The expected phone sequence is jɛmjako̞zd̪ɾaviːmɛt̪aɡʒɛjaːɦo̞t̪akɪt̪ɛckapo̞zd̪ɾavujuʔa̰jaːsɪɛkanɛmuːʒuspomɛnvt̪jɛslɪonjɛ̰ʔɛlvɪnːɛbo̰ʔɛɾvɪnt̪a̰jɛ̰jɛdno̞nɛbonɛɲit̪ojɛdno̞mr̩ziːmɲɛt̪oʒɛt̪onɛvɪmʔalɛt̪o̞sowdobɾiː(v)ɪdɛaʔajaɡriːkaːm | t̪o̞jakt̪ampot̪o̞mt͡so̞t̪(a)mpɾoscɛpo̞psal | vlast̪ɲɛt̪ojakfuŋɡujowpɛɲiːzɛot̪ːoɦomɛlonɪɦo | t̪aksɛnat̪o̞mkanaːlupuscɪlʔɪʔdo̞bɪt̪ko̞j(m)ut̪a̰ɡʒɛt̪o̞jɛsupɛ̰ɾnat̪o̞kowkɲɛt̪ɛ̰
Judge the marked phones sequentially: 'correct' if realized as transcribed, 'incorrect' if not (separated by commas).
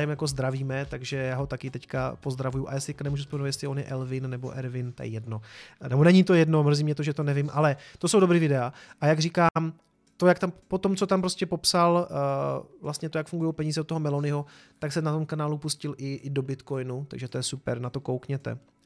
correct, correct, incorrect